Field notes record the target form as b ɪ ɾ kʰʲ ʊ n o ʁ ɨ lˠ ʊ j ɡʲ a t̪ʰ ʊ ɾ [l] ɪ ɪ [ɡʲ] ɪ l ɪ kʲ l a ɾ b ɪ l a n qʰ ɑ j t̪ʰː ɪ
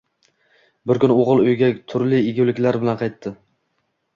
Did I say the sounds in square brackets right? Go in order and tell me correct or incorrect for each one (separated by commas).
correct, correct